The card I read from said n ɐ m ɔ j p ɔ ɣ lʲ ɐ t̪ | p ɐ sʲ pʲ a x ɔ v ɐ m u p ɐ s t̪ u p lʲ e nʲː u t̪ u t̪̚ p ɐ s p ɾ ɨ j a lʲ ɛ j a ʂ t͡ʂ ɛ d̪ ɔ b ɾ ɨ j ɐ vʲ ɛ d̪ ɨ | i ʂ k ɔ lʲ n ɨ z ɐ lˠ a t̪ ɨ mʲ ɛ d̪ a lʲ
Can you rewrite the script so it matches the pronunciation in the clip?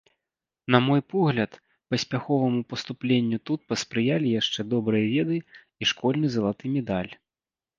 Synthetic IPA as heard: n ɐ m ɔ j p ɔ ɣ lʲ ɐ t̪ | p ɐ sʲ pʲ a x ɔ v ɐ m u p ɐ s t̪ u p lʲ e nʲː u t̪ u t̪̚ p ɐ s p ɾ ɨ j a lʲ i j a ʂ t͡ʂ ɛ d̪ ɔ b ɾ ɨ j ɐ vʲ ɛ d̪ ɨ | i ʂ k ɔ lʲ n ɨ z ɐ lˠ a t̪ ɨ mʲ ɛ d̪ a lʲ